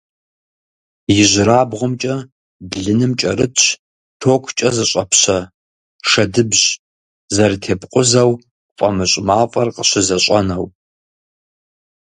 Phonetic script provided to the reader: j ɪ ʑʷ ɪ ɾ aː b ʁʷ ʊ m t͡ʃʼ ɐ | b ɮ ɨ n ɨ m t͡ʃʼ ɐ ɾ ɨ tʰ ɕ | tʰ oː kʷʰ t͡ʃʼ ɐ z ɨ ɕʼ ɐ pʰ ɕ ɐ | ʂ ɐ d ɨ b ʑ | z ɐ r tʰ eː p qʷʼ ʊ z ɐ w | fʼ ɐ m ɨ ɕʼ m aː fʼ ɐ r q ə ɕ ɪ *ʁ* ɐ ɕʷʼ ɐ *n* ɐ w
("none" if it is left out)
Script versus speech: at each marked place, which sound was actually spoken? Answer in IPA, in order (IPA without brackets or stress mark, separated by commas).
z, n